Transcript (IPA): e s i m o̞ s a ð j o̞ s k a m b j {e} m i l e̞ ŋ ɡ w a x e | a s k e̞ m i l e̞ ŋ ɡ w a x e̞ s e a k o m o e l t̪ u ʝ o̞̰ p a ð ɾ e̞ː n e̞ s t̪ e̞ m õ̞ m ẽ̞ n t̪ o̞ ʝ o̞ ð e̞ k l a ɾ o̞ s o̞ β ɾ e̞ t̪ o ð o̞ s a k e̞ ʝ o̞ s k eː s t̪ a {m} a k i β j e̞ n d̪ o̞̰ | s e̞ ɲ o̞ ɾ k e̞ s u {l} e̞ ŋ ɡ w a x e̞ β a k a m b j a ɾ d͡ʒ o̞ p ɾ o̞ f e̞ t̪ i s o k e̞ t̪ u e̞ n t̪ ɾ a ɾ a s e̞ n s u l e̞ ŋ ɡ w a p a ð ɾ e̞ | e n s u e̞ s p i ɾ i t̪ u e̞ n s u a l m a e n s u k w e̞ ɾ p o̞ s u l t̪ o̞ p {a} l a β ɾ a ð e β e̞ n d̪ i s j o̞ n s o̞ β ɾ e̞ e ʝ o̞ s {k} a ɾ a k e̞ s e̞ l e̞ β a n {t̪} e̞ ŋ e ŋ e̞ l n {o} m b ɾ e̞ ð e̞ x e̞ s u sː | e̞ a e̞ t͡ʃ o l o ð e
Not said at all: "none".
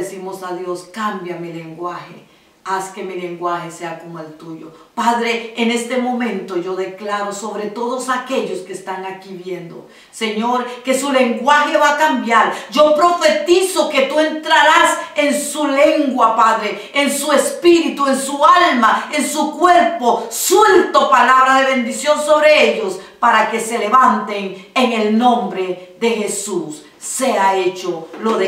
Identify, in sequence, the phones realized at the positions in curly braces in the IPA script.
a, ŋ, l, a, p, t̪, õ

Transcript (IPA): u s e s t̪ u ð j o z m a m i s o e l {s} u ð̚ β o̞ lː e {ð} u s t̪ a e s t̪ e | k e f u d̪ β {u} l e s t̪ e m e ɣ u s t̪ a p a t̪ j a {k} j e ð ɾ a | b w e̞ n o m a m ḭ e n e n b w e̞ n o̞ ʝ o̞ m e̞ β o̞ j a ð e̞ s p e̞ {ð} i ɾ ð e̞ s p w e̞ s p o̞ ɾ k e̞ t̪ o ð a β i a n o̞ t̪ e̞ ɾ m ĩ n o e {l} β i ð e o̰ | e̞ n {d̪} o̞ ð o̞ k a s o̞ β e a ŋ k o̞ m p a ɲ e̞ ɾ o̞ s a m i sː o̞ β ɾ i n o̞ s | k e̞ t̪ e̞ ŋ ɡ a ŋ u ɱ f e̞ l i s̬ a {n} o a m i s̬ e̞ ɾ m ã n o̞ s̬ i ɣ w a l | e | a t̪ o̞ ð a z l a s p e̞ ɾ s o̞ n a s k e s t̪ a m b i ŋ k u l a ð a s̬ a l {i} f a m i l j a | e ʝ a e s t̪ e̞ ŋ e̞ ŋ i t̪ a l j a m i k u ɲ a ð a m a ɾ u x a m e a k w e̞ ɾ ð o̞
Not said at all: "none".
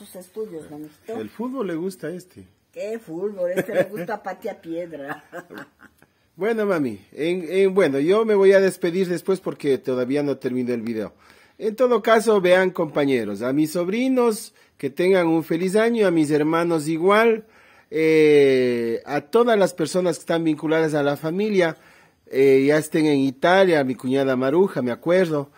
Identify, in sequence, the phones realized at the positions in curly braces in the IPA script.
f, ɣ, o, p, ð, l, t̪, ɲ, a

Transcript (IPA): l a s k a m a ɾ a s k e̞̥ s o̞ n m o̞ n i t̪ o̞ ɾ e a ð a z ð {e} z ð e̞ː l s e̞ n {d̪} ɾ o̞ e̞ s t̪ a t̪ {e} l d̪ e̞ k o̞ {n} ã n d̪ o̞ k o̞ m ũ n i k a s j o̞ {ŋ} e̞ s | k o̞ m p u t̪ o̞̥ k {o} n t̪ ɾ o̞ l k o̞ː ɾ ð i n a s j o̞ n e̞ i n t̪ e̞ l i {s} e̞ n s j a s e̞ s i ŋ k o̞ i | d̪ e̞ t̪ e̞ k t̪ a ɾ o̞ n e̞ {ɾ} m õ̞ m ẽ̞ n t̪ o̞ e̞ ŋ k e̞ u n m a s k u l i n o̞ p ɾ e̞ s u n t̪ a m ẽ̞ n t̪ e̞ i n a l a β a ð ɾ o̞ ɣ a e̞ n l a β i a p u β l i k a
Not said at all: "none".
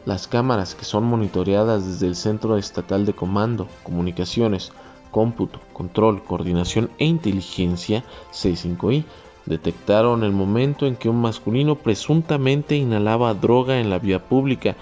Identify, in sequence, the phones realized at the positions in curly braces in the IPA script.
e, t̪, a, m, n, o, x, l

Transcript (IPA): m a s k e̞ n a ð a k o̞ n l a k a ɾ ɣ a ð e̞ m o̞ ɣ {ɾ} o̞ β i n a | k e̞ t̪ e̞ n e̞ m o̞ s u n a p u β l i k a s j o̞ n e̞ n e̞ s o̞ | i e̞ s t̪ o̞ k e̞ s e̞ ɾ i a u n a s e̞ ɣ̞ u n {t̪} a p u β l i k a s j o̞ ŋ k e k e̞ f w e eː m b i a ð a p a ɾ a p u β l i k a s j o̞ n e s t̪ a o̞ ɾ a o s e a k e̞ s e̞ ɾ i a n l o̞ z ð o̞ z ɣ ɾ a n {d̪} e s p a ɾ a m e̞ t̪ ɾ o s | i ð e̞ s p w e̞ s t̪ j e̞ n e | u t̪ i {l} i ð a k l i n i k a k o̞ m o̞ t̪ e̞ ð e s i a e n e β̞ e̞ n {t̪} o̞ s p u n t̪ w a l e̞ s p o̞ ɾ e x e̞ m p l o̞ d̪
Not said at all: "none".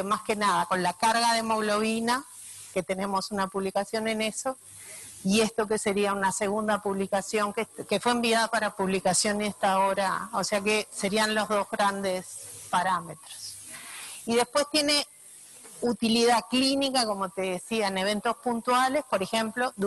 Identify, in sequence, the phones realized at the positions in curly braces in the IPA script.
l, d̪, d̪, l, t̪

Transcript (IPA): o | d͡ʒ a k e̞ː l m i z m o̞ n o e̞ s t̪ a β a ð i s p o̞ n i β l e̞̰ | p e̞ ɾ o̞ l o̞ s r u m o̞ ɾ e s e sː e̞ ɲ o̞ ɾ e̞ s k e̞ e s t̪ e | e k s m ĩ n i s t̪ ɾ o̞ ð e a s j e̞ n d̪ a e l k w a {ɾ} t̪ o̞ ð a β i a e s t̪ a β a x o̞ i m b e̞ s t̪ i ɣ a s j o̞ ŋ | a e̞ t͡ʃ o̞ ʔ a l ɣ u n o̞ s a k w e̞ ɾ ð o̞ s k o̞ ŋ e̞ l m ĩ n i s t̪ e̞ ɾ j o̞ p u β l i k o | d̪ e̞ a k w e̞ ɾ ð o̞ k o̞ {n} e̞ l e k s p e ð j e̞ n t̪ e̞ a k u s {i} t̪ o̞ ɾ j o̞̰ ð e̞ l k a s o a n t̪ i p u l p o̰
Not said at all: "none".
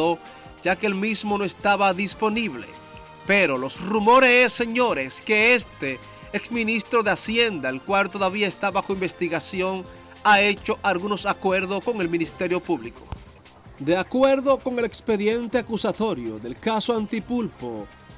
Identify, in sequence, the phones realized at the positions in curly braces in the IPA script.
l, ŋ, a

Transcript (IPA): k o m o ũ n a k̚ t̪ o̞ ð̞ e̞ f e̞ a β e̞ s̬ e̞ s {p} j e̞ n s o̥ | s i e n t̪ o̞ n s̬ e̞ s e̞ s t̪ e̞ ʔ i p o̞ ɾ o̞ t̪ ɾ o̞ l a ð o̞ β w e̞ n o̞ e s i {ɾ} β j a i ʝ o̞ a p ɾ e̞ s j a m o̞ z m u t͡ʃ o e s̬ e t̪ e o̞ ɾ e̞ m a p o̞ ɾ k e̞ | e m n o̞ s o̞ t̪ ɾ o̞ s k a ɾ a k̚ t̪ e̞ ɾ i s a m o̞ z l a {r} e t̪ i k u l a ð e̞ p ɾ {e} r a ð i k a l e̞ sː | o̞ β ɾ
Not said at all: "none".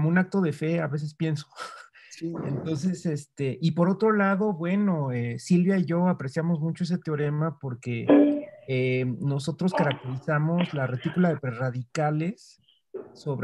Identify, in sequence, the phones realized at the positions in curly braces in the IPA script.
p, l, r, e

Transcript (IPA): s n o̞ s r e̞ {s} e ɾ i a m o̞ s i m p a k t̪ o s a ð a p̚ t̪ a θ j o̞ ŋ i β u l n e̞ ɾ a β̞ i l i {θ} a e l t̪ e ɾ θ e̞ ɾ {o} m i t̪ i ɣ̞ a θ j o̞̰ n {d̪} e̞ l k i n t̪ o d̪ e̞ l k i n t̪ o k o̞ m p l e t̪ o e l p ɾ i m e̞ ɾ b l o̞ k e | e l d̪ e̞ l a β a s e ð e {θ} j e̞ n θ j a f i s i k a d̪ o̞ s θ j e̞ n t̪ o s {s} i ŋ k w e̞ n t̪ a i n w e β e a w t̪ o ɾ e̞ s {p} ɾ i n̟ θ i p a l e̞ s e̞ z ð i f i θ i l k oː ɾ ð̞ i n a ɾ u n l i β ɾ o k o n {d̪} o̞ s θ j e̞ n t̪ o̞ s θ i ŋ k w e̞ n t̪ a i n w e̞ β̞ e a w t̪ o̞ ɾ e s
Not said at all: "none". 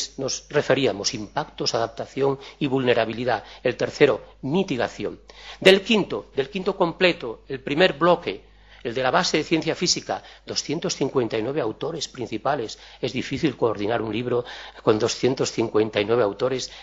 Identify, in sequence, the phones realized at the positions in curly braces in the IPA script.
f, ð, o, d̪, θ, θ, p, d̪

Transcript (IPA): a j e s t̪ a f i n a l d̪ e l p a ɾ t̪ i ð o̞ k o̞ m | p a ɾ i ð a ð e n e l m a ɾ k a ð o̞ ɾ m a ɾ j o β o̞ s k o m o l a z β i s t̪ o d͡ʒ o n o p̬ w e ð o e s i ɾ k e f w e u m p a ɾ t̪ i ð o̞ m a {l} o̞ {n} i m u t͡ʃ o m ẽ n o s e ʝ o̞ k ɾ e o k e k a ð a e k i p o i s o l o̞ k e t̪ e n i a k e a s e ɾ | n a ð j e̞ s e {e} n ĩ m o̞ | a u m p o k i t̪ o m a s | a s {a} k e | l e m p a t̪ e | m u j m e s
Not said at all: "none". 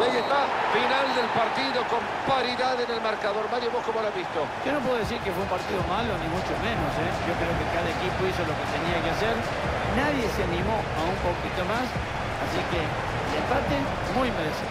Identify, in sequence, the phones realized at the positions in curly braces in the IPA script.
l, n, a, i

